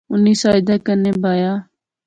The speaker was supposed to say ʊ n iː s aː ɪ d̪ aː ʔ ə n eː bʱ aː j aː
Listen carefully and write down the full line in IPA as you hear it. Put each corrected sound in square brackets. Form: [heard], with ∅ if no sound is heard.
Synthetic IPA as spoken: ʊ n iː s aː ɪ d̪ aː [k] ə n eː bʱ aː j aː